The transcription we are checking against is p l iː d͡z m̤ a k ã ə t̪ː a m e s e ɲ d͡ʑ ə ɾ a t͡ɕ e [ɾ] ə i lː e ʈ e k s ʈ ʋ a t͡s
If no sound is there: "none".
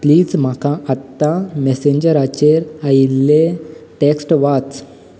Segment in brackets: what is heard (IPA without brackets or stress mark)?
ɾ